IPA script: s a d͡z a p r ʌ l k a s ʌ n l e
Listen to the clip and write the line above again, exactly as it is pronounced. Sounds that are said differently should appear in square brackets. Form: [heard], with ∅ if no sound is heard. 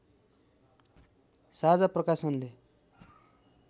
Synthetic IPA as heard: s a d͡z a p r ʌ [∅] k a s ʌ n l e